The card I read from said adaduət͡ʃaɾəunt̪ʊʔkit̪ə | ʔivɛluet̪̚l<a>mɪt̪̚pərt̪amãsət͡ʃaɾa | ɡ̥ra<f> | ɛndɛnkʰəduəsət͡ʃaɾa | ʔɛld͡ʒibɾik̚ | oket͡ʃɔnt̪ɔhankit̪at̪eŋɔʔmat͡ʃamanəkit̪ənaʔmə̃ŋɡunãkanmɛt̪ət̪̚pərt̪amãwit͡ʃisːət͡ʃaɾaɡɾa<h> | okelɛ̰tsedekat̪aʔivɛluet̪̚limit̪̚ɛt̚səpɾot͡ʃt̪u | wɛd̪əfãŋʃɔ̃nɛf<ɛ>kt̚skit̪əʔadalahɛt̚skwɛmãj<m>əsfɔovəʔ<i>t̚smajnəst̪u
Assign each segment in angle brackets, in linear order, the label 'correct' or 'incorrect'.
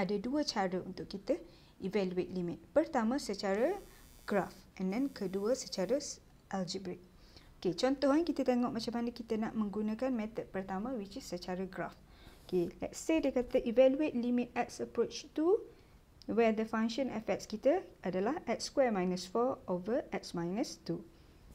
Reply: incorrect: i, correct, incorrect: f, correct, incorrect: n, incorrect: ɛ

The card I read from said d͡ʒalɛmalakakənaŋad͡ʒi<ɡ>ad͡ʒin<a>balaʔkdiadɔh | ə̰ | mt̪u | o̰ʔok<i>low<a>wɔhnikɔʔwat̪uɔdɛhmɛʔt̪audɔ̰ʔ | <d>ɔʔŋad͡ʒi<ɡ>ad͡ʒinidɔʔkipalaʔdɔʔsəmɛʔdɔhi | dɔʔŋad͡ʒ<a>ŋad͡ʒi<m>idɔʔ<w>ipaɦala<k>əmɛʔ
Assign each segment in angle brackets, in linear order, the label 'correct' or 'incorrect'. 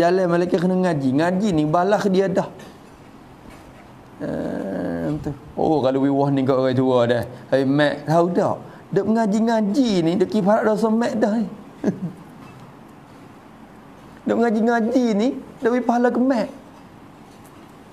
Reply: incorrect: ŋ, incorrect: i, incorrect: a, incorrect: i, correct, incorrect: ŋ, incorrect: i, incorrect: n, correct, correct

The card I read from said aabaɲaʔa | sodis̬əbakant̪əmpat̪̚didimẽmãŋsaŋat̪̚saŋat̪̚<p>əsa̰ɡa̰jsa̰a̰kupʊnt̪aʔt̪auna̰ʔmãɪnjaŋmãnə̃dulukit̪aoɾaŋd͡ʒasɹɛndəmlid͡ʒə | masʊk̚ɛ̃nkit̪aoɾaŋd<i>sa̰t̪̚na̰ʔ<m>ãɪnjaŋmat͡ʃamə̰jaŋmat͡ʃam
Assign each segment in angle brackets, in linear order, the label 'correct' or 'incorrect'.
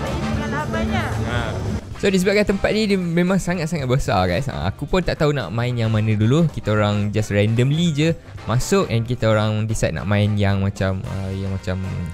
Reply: incorrect: b, correct, correct

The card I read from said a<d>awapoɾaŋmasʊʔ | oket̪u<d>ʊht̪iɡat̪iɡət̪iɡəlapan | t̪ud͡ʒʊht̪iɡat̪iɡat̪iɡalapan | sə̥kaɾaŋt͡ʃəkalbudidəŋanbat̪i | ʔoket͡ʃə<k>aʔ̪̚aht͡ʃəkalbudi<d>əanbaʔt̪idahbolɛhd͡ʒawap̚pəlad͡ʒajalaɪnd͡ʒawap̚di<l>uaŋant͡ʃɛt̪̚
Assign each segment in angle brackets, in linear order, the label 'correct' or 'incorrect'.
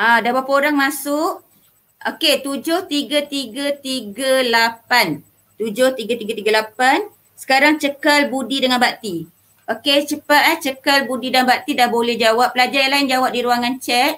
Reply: correct, incorrect: d͡ʒ, incorrect: p, correct, incorrect: ɾ

